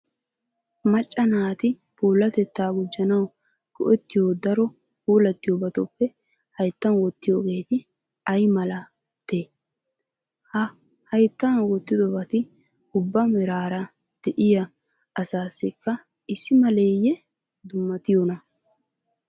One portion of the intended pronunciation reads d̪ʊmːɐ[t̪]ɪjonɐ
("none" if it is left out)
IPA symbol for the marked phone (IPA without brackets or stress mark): t̪